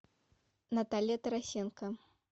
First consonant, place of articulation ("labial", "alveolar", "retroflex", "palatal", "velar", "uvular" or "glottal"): alveolar